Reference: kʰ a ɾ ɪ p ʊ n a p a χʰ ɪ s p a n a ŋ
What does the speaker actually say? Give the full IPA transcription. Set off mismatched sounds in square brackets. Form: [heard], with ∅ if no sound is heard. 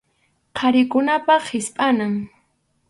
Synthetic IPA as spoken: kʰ a ɾ ɪ [k] ʊ n a p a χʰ ɪ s [pʼ] a n a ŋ